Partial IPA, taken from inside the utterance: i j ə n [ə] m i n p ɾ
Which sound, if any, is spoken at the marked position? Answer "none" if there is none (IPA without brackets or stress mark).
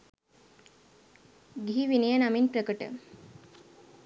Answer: a